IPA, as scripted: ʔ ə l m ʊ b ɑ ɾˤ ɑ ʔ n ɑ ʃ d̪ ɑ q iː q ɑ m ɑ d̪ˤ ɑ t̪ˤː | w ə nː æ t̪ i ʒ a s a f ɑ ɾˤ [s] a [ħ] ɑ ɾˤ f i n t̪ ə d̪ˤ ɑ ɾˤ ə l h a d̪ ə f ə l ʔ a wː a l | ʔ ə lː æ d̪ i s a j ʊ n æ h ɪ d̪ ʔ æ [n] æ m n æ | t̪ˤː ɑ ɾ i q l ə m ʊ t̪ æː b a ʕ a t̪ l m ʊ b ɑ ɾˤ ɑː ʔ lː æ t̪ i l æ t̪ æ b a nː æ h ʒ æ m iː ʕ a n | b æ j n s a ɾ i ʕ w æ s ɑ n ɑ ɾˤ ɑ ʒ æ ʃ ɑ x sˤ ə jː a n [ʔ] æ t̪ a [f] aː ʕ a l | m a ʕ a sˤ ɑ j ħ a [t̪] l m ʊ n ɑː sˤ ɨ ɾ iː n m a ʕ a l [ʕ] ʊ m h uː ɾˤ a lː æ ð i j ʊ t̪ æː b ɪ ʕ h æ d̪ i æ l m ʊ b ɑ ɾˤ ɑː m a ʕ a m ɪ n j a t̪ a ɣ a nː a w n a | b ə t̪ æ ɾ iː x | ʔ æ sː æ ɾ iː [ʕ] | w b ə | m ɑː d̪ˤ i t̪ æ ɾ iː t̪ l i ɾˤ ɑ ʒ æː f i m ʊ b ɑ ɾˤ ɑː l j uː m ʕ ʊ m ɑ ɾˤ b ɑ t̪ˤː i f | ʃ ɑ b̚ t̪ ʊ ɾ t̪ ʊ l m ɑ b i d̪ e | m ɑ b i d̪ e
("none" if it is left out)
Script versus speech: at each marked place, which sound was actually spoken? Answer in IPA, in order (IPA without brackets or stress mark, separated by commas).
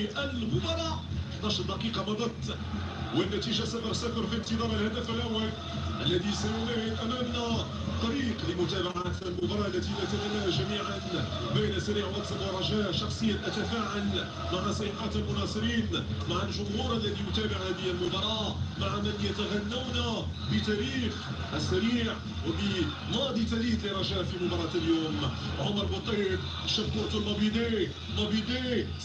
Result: s, f, m, ʔ, f, t̪, ʒ, ʕ